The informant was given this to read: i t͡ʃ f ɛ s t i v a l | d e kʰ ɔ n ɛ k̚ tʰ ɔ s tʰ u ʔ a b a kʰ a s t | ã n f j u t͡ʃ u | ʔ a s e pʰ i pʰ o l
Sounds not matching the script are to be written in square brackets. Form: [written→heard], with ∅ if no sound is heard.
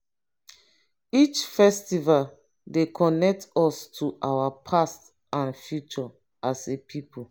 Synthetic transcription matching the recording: i t͡ʃ f ɛ s t i v a l | d e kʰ ɔ n ɛ k̚ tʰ ɔ s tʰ u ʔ a [b→w] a [kʰ→pʰ] a s t | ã n f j u t͡ʃ [u→ɔ] | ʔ a s e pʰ i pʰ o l